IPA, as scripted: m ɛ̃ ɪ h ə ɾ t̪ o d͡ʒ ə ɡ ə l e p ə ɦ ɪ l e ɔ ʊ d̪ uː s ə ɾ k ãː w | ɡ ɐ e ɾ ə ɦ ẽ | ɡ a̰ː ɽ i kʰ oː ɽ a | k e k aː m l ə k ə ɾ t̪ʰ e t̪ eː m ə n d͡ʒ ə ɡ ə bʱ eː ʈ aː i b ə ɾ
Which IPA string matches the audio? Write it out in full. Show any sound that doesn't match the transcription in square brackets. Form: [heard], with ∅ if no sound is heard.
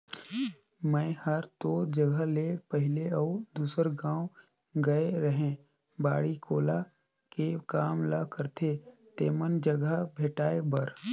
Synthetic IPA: m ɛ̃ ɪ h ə ɾ t̪ o d͡ʒ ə ɡ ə l e p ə ɦ ɪ l e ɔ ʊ d̪ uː s ə ɾ [ɡ] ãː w | ɡ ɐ e ɾ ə ɦ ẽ | [b] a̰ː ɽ i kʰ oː [l] a | k e k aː m l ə k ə ɾ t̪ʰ e t̪ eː m ə n d͡ʒ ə ɡ ə bʱ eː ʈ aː [e] b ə ɾ